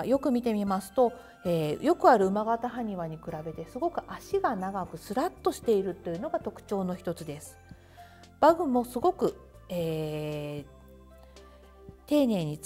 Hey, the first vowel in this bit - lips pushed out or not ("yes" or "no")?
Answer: yes